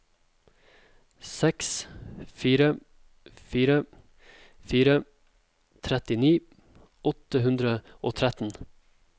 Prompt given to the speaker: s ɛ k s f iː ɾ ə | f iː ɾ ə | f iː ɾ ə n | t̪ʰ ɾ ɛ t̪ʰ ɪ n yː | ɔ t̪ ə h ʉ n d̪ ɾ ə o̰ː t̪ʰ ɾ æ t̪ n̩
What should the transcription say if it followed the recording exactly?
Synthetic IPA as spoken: s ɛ k s f iː ɾ ə | f iː ɾ ə | f iː ɾ ə | t̪ʰ ɾ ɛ t̪ ɪ n iː | ɔ t̪ ə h ʉ n d̪ ɾ ə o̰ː t̪ʰ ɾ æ t̪ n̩